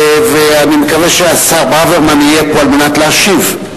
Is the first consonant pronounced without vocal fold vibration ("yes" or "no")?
no